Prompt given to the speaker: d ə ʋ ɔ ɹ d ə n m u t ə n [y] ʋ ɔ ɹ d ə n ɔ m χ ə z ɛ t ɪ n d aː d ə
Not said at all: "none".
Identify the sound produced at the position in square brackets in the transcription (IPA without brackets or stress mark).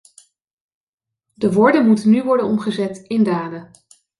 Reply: y